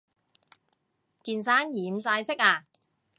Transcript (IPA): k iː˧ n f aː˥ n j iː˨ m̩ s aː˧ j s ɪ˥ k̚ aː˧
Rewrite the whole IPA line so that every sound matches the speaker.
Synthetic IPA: k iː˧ n s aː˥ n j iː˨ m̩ s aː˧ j s ɪ˥ k̚ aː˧